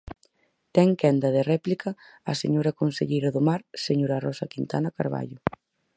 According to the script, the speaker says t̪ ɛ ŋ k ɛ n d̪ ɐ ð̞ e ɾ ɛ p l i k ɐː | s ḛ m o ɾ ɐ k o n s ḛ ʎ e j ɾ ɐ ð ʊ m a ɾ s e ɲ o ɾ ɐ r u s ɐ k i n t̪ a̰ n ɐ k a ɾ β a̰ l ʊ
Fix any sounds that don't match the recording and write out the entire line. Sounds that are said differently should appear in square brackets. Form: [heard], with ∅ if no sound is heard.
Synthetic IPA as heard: t̪ ɛ ŋ k ɛ n d̪ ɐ ð̞ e [r] ɛ p l i k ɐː | s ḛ [ɲ] o ɾ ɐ k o n s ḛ ʎ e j ɾ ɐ ð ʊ m a ɾ s e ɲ o ɾ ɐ r [ɔ] s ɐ k i n t̪ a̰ n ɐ k a ɾ β a̰ [ʎ] ʊ